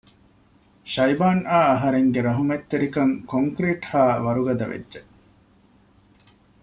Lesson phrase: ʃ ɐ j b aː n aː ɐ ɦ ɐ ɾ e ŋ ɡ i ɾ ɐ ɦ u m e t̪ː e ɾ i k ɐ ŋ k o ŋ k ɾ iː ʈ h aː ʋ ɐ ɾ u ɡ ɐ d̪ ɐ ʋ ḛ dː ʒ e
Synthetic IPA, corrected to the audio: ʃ ɐ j b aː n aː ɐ ɦ ɐ ɾ e ŋ ɡ e ɾ ɐ ɦ u m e t̪ː e ɾ i k ɐ ŋ k o ŋ k ɾ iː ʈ h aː ʋ ɐ ɾ u ɡ ɐ d̪ ɐ ʋ ḛ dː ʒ e